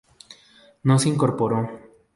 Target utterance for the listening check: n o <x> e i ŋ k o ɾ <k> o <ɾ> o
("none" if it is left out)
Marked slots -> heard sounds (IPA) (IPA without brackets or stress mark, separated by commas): s, p, ɾ